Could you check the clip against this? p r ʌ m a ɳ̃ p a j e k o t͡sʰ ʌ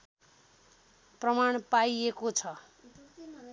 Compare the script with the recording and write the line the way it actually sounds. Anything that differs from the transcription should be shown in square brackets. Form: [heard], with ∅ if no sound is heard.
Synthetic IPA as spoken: p r ʌ m a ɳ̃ p a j e k o t͡sʰ ʌ